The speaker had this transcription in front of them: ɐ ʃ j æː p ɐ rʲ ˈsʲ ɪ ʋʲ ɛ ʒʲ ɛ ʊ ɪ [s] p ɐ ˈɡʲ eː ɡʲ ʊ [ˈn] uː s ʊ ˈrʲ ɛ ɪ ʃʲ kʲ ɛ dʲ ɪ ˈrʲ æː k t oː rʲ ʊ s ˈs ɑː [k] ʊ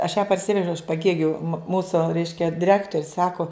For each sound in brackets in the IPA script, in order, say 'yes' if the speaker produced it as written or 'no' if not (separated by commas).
no, no, yes